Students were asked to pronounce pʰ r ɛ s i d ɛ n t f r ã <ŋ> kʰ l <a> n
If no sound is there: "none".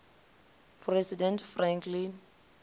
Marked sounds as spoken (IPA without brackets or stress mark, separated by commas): ŋ, i